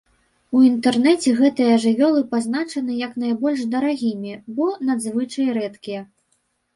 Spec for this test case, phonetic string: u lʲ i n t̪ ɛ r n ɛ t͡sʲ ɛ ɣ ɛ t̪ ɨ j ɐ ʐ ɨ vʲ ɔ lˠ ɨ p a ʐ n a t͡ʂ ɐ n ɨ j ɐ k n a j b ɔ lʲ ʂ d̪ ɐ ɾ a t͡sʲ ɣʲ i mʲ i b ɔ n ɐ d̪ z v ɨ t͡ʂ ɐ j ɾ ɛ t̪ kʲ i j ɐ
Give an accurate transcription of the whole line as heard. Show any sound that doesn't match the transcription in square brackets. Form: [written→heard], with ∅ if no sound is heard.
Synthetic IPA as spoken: u [lʲ→∅] i n t̪ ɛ r n ɛ t͡sʲ ɛ ɣ ɛ t̪ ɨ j ɐ ʐ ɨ vʲ ɔ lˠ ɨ p a [ʐ→z] n a t͡ʂ ɐ n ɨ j ɐ k n a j b ɔ lʲ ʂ d̪ ɐ ɾ a [t͡sʲ→∅] ɣʲ i mʲ i b ɔ n [ɐ→a] d̪ z v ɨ t͡ʂ ɐ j ɾ ɛ t̪ kʲ i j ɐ